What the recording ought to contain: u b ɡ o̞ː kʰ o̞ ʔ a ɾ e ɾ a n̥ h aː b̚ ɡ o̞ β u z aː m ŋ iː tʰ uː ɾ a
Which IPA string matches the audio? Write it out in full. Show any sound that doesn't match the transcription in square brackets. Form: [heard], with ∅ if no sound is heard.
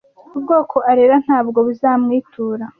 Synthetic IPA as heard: u b ɡ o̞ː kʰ o̞ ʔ a ɾ e ɾ a n̥ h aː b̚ ɡ o̞ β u z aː m ŋ iː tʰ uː ɾ a